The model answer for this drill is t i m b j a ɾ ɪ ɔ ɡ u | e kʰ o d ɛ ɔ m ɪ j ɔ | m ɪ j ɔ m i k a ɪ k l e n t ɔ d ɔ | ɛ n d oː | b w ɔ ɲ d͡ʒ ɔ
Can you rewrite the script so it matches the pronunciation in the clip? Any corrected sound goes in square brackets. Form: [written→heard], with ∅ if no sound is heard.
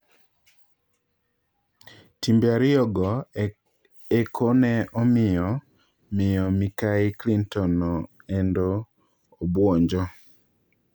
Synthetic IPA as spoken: t i m b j a ɾ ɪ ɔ ɡ [u→ɔ] | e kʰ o [d→n] ɛ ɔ m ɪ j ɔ | m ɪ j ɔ m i k a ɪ k l [e→i] n t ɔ [d→n] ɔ | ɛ n d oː | b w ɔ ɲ d͡ʒ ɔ